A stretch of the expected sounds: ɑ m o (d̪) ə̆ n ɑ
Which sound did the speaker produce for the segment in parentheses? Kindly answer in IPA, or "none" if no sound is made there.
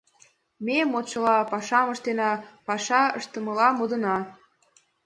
d̪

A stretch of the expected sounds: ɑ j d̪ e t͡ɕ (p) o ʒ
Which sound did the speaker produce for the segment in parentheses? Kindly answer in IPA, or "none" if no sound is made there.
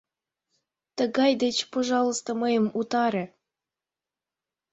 p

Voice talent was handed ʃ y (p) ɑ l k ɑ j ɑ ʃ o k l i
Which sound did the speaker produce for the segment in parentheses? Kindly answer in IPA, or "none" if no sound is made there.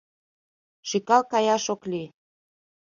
k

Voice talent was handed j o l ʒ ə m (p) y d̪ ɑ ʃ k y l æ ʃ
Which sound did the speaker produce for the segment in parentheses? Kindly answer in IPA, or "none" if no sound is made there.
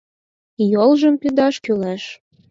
p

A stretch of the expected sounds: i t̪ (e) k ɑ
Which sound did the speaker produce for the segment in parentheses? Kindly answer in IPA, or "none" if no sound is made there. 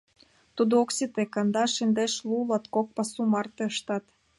e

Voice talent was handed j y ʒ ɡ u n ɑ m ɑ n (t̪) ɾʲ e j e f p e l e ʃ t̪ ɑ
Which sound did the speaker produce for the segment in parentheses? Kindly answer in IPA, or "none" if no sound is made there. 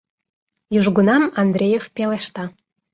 d̪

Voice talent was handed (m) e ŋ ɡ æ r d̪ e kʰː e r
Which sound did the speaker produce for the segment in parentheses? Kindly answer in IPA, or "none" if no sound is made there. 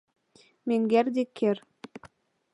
m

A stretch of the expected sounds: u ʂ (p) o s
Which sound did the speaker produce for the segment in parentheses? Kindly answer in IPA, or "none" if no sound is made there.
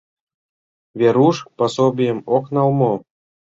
p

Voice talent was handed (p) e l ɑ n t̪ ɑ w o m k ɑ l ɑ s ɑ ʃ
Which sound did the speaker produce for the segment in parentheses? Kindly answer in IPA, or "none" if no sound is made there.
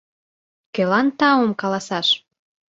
k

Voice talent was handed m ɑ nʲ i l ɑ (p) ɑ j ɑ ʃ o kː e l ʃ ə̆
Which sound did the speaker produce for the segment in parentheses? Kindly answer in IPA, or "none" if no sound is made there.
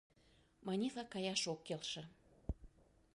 k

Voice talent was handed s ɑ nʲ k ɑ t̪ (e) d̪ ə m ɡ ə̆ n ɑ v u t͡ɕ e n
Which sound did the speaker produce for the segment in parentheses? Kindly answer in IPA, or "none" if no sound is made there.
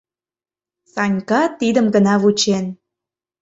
i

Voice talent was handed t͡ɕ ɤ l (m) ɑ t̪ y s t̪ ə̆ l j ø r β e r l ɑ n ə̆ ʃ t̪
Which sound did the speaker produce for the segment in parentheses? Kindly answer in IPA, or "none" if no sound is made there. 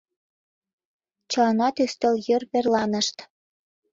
n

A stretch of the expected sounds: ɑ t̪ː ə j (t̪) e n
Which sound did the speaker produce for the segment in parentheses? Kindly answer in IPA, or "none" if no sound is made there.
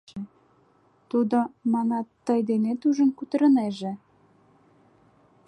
d̪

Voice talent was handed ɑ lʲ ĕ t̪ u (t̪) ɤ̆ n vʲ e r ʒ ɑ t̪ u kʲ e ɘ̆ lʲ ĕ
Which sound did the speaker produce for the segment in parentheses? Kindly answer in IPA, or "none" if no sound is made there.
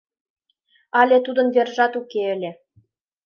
d̪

